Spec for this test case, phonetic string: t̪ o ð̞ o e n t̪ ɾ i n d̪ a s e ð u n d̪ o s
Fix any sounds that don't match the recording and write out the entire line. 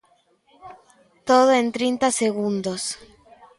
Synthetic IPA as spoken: t̪ o ð̞ o e n t̪ ɾ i n t̪ a s e ɣ u n d̪ o s